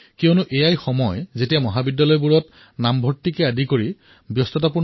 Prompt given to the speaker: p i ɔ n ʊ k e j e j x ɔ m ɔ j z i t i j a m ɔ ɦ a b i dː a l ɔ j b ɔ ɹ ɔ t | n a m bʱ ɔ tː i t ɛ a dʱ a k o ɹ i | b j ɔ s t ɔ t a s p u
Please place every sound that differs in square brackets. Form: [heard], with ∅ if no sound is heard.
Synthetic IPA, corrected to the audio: [k] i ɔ n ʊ [ʔ] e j [a] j x ɔ m ɔ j z [e] t i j a m ɔ ɦ a b i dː a l ɔ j b [u] ɹ ɔ t | n a m bʱ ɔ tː i [k] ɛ a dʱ [i] k o ɹ i | b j ɔ s t ɔ t a [∅] p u